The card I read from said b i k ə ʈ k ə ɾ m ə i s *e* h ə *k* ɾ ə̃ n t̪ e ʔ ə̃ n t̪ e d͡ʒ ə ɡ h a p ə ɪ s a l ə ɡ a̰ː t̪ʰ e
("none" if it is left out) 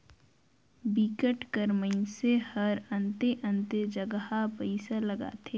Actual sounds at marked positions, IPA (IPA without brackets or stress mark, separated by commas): e, none